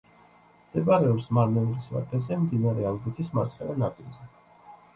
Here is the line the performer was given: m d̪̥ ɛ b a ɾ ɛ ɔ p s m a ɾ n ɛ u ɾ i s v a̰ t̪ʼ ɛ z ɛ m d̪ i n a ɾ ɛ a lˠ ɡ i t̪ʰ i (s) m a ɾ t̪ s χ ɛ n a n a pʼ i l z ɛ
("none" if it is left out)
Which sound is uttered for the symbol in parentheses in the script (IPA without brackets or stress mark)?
s